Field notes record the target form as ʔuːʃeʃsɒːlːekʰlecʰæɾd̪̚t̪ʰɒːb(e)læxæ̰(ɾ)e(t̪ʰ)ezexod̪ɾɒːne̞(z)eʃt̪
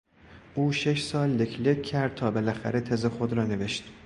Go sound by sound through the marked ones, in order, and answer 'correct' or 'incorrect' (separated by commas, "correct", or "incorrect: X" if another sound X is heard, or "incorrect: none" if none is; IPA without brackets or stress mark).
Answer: correct, correct, correct, incorrect: v